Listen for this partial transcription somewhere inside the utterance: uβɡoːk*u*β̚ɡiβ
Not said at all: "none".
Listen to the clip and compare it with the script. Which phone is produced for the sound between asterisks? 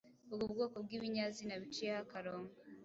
o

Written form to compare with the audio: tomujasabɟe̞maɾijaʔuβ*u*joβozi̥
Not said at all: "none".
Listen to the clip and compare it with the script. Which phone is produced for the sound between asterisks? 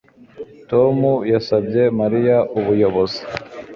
u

